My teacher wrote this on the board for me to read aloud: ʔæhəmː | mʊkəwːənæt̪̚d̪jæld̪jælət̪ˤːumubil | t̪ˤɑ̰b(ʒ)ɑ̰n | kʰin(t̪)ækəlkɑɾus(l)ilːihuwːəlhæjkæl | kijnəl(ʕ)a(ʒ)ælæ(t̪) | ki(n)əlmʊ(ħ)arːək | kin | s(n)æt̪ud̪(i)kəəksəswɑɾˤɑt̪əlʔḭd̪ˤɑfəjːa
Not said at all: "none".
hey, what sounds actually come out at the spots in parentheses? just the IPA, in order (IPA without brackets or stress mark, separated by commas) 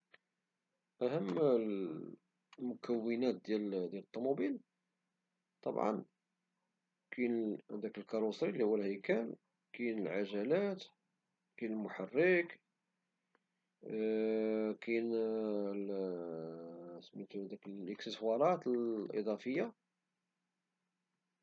ʕ, d̪, ɾ, ʕ, ʒ, t̪, n, ħ, m, æ